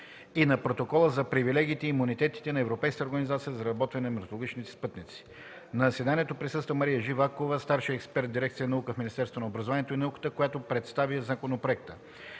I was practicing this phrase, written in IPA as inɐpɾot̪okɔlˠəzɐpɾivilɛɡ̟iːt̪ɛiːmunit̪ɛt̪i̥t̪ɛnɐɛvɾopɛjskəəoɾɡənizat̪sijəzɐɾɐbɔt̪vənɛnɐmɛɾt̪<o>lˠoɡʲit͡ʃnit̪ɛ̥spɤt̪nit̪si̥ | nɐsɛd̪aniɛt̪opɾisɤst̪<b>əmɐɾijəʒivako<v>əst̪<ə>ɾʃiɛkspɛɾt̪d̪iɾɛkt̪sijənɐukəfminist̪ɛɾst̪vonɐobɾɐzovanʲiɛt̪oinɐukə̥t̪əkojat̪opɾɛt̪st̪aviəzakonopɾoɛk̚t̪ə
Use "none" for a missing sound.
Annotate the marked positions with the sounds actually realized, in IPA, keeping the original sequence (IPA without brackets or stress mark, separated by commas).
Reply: o, v, v, a